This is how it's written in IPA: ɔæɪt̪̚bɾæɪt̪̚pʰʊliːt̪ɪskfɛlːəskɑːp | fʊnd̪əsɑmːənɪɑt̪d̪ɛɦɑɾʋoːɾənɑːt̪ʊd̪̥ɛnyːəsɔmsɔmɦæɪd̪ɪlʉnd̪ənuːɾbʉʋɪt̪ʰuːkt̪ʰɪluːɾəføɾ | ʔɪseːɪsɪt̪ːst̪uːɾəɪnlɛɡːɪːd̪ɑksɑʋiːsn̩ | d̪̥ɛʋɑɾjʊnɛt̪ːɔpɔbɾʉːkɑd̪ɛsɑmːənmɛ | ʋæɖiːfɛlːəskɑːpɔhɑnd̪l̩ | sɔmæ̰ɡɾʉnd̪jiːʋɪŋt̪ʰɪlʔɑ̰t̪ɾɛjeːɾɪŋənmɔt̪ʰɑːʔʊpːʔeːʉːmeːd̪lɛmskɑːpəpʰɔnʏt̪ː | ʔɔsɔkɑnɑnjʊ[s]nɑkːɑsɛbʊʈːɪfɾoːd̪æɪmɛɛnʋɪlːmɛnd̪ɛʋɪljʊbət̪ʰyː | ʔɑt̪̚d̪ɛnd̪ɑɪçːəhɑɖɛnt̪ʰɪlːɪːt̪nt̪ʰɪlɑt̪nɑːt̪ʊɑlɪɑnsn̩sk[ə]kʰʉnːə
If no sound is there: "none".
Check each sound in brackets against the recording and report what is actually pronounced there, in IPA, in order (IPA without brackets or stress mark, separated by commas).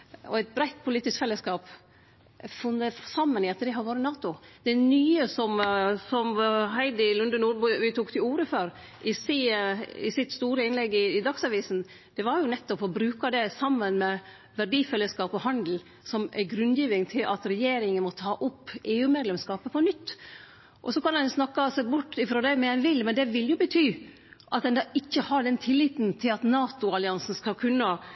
s, ɑ